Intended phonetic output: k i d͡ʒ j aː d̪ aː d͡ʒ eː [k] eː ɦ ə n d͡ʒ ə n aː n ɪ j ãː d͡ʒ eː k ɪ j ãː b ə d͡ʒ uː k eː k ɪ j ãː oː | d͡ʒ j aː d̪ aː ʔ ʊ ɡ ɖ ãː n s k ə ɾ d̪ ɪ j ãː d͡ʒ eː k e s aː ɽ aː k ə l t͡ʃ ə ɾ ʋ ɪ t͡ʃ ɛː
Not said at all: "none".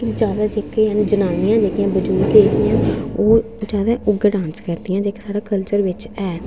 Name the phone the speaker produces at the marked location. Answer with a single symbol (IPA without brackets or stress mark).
k